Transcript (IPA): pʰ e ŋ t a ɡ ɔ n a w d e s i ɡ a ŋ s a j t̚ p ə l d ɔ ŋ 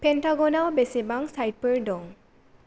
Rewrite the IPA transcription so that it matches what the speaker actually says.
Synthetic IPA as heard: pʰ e n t a ɡ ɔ n a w b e s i b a ŋ s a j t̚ p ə ɹ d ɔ ŋ